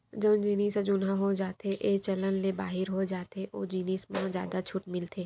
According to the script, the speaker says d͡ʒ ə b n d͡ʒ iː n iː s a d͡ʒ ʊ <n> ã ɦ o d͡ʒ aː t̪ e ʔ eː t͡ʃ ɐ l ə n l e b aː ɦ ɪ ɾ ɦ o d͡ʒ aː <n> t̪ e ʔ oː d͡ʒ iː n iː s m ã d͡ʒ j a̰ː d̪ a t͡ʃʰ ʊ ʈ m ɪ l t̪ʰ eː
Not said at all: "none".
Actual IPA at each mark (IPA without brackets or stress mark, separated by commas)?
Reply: n, none